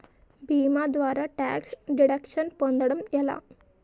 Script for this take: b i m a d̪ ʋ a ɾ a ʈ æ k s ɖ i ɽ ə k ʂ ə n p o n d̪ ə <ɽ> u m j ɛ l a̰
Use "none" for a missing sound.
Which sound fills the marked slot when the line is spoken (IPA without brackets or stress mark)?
ɽ